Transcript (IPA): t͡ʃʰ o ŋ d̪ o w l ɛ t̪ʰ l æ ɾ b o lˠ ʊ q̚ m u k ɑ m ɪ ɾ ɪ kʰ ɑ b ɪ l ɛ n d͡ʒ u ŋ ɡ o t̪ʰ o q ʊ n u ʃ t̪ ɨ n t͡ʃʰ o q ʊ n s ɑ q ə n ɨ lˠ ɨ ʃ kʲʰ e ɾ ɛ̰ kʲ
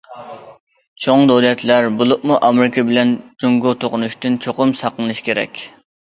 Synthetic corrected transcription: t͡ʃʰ o ŋ d̪ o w l ɛ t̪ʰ l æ ɾ b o lˠ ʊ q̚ m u ʔ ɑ m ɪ ɾ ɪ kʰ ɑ b ɪ l ɛ n d͡ʒ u ŋ ɡ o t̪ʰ o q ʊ n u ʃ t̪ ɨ n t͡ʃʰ o q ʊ m s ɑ q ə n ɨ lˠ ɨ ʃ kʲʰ e ɾ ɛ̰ kʲ